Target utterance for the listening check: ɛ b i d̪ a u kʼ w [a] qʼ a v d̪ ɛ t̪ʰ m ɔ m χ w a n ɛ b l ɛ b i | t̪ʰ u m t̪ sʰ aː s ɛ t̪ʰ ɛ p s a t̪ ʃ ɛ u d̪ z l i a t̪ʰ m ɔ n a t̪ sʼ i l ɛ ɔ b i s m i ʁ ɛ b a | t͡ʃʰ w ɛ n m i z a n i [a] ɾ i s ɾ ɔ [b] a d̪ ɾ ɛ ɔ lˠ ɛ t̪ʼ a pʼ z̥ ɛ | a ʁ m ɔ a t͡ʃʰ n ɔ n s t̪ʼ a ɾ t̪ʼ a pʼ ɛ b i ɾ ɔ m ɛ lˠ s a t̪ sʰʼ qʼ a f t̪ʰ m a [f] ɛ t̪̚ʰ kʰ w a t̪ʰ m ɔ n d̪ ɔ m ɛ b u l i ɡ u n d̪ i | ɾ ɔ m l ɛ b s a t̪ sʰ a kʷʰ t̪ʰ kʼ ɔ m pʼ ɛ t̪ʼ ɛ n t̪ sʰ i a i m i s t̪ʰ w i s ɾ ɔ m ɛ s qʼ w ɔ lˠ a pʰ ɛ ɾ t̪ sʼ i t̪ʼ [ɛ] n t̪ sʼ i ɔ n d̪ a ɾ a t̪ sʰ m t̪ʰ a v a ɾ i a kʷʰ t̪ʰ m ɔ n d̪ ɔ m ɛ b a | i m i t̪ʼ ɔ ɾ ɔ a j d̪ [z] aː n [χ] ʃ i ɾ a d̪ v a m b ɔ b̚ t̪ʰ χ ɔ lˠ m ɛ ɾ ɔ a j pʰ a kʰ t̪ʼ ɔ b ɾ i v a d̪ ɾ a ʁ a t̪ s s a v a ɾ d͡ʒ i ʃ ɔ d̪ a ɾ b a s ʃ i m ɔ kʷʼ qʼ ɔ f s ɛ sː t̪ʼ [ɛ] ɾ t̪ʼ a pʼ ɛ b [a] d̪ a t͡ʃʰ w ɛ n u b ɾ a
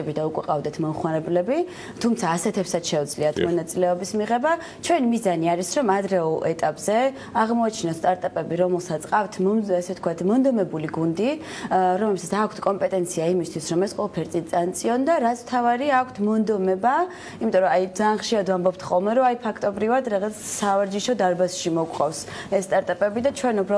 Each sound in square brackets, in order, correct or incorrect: incorrect, correct, incorrect, incorrect, incorrect, correct, correct, incorrect, incorrect

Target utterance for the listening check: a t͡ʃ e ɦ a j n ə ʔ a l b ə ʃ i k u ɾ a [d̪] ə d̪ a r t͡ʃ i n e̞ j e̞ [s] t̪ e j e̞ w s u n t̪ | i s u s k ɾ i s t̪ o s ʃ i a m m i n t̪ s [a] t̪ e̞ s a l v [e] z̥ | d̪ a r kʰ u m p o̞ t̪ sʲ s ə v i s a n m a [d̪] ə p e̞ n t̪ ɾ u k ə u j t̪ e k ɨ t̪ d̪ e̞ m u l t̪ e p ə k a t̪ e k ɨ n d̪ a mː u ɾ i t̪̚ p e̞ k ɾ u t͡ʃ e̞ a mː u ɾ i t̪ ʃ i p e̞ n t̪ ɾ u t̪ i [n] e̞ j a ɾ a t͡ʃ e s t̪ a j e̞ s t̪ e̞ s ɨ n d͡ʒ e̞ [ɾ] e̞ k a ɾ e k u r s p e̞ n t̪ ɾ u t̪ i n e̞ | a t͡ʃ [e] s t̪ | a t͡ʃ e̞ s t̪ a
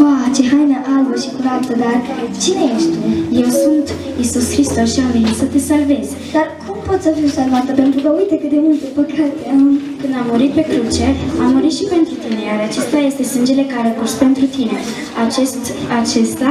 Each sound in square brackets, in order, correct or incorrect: incorrect, incorrect, incorrect, correct, incorrect, correct, incorrect, correct

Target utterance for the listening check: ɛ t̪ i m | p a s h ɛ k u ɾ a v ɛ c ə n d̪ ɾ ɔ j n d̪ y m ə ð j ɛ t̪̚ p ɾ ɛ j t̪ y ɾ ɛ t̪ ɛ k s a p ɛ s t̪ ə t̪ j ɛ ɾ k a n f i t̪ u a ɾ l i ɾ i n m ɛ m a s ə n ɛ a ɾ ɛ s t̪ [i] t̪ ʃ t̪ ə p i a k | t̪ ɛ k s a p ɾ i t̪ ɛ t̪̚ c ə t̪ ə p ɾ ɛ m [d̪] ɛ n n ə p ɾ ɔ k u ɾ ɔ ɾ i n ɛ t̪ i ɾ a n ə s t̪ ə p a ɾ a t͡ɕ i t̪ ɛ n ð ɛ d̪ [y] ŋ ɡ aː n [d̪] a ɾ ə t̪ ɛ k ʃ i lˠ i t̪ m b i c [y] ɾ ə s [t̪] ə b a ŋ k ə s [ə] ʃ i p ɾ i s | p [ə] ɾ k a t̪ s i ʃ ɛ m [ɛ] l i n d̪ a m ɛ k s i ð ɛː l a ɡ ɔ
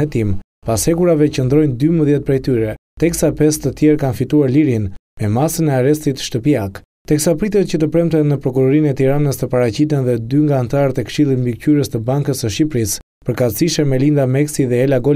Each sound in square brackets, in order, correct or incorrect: correct, incorrect, correct, incorrect, correct, correct, correct, correct, correct

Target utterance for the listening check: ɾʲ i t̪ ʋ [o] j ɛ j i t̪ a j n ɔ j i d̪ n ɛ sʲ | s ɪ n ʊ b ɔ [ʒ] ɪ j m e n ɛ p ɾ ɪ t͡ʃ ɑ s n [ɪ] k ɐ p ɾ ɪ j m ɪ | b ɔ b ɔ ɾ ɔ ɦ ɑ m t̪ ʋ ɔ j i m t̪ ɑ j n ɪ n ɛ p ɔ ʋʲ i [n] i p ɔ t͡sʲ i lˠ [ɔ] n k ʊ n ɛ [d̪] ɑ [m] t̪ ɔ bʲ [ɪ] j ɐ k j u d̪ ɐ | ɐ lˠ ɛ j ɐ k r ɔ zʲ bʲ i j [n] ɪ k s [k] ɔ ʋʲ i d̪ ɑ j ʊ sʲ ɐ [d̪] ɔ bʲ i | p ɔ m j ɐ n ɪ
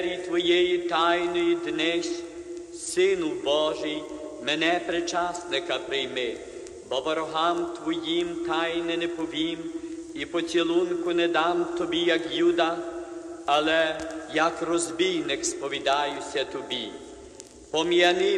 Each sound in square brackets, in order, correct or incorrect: incorrect, correct, correct, incorrect, incorrect, correct, correct, incorrect, correct, incorrect, incorrect

